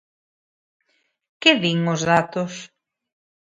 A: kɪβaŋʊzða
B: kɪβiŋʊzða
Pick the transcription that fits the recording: B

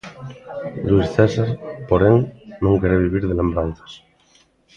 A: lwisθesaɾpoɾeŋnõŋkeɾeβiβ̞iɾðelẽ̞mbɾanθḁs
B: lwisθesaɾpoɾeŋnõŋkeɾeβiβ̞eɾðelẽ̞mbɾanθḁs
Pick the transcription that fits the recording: A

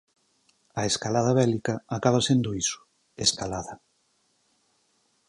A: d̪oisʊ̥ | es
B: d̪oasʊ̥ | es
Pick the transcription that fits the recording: A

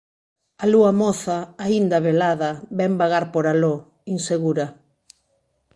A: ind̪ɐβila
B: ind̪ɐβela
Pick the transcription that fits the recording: B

